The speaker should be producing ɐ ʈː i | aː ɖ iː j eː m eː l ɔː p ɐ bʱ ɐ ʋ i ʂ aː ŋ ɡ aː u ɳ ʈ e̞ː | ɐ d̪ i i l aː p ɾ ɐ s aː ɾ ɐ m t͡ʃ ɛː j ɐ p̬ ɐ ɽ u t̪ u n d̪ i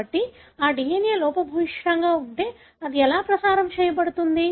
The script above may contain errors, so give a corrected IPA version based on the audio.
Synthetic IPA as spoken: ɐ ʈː i | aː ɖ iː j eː n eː l ɔː p ɐ bʱ ɐ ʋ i ʂ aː ŋ ɡ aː u ɳ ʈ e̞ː | ɐ d̪ i ɛ l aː p ɾ ɐ s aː ɾ ɐ m t͡ʃ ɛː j ɐ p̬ ɐ ɽ u t̪ u n d̪ i

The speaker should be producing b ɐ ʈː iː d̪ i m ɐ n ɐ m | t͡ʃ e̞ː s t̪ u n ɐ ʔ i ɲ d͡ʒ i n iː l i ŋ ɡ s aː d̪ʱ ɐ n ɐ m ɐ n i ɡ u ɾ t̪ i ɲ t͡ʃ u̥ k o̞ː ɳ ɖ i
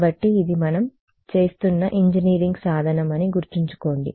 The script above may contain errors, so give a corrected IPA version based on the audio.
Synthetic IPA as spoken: b ɐ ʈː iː d̪ i m ɐ n ɐ m | t͡ʃ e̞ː s t̪ u nː ɐ ʔ i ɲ d͡ʒ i n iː ɾ i ŋ ɡ s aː d̪ʱ ɐ n ɐ m ɐ n i ɡ u ɾ t̪ i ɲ t͡ʃ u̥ k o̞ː ɳ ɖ i

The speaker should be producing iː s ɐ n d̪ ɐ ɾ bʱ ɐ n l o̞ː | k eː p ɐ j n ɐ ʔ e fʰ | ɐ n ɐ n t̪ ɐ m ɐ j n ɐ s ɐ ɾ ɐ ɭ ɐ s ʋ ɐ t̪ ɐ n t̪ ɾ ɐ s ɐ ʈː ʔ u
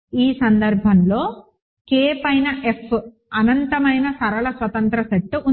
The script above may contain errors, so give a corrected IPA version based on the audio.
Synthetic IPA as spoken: iː s ɐ n d̪ ɐ ɾ bʱ ɐ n l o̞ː | k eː p ɐ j n ɐ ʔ e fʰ | ɐ n ɐ n t̪ ɐ m ɐ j n ɐ s ɐ ɾ ɐ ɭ ɐ s ʋ ɐ t̪ ɐ n t̪ ɾ ɐ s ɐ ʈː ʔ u

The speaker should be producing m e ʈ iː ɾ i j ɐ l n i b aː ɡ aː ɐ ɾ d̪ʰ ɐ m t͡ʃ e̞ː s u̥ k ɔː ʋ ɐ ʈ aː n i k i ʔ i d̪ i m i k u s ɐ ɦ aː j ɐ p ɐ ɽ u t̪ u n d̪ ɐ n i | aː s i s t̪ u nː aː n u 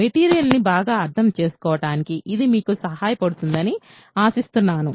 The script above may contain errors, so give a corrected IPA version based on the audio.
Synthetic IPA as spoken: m e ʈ iː ɾ i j ɐ l n i b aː ɡ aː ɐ ɾ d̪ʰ ɐ m t͡ʃ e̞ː s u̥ k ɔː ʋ ɐ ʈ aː n i k i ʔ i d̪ i m iː k u s ɐ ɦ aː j ɐ p ɐ ɽ u t̪ u n d̪ ɐ n i | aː s i s t̪ u nː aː n u

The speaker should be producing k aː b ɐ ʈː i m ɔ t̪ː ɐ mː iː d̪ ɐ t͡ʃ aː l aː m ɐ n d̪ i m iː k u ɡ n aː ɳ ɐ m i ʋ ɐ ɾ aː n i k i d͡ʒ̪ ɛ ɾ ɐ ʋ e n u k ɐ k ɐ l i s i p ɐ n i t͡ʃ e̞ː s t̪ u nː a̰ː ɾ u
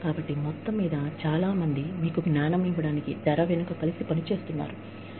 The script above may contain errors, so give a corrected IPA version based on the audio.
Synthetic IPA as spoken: k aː b ɐ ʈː i m ɔ t̪ː ɐ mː iː d̪ ɐ t͡ʃ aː l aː m ɐ n d̪ i m iː k u ɡ n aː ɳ ɐ m i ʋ ɐ ɽ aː n i k i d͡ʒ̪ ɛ ɾ ɐ ʋ e n u k ɐ k ɐ l i s i p ɐ n i t͡ʃ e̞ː s t̪ u nː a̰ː ɾ u

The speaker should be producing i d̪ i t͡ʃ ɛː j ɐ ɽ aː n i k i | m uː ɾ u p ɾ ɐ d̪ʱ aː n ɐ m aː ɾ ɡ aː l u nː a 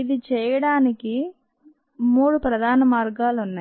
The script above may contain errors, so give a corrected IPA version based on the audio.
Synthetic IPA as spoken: i d̪ i t͡ʃ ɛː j ɐ ɽ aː n i k i | m uː ɽ u p ɾ ɐ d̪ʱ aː n ɐ m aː ɾ ɡ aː l u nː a

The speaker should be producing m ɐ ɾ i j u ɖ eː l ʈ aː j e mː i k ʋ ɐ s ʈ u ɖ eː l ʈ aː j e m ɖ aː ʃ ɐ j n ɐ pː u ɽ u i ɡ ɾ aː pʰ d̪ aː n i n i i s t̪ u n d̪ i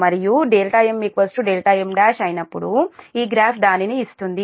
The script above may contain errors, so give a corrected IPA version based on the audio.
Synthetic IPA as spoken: m ɐ ɾ i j u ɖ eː l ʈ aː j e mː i k ʋ ɐ s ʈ u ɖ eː l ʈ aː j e m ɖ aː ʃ ɐ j n ɐ pː u ɽ u iː ɡ ɾ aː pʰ d̪ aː n i n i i s t̪ u n d̪ i

